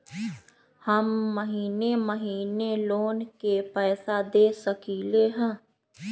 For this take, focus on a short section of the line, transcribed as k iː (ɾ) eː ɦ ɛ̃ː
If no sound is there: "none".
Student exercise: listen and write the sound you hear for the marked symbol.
l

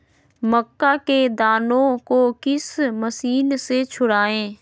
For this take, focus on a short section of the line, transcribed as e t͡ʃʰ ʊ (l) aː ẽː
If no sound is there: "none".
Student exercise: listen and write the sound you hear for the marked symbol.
ɽ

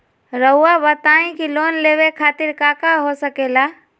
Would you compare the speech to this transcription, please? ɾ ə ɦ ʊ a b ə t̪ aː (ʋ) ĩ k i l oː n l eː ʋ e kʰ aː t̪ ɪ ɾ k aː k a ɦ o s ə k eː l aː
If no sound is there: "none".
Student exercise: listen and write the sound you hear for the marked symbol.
none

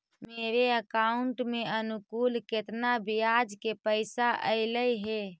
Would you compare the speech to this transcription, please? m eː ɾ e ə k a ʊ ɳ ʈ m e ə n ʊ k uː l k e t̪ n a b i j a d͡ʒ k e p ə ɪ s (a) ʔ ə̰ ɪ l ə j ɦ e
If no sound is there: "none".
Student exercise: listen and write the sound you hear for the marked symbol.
a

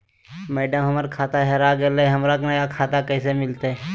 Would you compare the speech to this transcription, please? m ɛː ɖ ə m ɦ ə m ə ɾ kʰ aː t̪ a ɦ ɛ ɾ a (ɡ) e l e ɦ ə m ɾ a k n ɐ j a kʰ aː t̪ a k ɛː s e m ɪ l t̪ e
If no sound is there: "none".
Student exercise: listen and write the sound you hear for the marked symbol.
ɡ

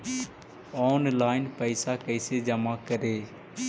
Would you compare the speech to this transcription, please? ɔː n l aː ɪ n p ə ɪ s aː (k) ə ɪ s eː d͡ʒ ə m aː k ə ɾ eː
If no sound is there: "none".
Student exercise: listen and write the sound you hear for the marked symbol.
k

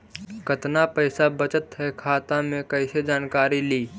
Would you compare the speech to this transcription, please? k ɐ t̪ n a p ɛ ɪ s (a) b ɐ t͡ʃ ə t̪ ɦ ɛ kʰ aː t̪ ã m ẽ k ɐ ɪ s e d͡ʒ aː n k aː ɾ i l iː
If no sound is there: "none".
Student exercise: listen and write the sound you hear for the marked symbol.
a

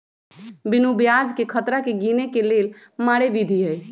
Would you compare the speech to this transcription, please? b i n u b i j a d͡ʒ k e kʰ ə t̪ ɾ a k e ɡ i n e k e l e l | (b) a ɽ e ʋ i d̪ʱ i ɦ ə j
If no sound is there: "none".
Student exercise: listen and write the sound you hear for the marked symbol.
m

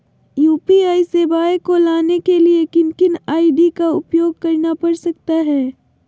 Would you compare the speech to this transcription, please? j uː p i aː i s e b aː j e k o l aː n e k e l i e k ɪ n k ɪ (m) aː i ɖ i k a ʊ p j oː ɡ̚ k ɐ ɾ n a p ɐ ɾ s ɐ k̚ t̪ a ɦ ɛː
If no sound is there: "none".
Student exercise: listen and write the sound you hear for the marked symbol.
n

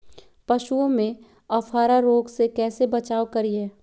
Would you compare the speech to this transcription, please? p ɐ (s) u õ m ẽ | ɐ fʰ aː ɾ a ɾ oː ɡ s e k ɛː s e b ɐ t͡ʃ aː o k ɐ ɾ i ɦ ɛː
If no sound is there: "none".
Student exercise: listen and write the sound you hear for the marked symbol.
ʃ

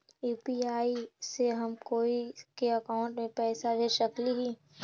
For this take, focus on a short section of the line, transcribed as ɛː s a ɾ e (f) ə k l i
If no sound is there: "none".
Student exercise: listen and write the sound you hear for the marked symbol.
ʃ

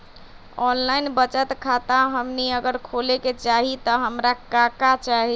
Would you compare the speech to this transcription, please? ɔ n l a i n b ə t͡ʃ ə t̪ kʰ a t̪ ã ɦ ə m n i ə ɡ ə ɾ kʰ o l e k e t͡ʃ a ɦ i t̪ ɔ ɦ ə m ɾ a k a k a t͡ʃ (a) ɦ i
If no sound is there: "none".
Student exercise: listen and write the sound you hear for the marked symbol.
a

